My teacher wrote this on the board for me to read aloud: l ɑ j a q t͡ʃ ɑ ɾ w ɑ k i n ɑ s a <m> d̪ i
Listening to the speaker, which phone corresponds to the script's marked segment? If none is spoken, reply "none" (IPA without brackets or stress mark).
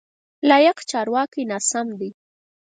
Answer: m